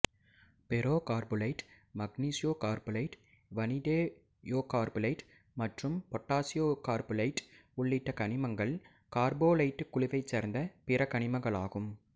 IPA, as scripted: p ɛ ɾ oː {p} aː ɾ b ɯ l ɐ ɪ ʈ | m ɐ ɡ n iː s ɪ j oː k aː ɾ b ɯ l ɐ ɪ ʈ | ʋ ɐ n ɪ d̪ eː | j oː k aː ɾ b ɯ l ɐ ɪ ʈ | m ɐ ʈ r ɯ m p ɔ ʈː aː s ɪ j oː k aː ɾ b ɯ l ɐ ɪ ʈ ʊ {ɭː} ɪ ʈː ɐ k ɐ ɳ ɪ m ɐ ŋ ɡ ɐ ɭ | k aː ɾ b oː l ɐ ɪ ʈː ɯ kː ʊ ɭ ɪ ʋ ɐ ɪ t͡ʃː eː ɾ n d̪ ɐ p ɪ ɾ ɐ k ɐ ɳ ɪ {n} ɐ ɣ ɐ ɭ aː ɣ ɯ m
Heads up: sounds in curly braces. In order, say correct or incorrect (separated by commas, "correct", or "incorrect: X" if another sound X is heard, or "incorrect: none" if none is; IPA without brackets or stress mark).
incorrect: k, correct, incorrect: m